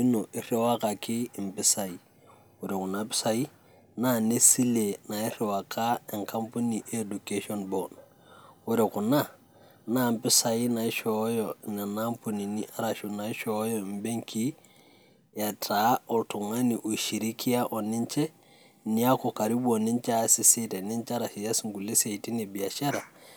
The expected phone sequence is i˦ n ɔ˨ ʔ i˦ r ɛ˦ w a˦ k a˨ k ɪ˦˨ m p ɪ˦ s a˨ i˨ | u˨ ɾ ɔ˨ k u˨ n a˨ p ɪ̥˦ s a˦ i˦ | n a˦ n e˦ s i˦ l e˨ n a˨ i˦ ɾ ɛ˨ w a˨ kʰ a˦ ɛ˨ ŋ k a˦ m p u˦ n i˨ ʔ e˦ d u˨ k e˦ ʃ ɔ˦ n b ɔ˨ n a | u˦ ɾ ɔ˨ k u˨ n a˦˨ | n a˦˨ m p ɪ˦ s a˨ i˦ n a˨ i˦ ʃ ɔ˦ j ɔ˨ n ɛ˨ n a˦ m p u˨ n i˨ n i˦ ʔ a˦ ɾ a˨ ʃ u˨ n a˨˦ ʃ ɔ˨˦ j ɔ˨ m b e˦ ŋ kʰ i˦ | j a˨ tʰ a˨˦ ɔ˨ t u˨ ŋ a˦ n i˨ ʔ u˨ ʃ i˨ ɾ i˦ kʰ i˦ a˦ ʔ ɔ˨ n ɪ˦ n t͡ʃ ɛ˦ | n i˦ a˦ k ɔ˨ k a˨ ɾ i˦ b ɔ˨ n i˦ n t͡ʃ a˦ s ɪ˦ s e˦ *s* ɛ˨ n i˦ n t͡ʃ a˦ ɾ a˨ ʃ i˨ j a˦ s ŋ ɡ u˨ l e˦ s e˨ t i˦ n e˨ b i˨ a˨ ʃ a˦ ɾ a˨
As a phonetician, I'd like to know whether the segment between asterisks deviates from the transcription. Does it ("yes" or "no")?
yes